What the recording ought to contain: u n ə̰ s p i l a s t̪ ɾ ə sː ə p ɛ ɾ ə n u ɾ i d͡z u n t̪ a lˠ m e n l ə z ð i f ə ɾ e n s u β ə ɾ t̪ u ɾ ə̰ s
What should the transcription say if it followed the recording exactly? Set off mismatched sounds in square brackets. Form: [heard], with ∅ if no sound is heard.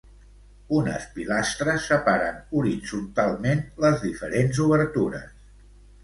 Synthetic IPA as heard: u n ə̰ s p i l a s t̪ ɾ ə sː ə p [a] ɾ ə n u ɾ i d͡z u n t̪ a lˠ m e n l ə z ð i f ə ɾ e n [z] u β ə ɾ t̪ u ɾ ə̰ s